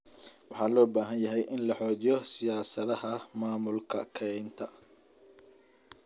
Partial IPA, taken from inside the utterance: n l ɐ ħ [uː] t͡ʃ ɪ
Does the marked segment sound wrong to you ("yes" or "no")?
yes